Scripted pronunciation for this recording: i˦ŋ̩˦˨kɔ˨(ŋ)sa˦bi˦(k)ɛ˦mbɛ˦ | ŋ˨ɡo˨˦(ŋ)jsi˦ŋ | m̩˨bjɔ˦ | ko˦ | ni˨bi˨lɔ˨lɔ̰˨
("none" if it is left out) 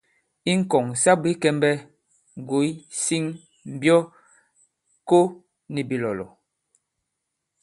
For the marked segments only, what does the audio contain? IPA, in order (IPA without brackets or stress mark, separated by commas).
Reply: ŋ, k, none